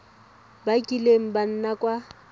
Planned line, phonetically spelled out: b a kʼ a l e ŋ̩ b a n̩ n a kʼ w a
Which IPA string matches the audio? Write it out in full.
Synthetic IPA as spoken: b a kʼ i l e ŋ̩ b a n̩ n a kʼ w a